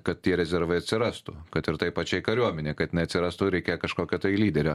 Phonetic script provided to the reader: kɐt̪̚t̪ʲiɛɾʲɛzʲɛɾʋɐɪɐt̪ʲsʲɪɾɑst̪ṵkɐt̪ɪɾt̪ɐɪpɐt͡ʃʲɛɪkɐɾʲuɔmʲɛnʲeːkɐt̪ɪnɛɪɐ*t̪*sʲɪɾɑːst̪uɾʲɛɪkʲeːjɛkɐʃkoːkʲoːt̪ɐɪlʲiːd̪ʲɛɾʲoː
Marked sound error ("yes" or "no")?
no